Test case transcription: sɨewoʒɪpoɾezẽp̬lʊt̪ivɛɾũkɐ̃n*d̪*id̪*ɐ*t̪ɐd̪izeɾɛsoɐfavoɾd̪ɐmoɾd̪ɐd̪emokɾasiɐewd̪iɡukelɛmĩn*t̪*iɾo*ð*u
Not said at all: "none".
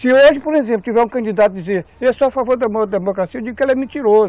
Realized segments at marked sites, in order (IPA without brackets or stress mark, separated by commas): d̪, a, t̪, z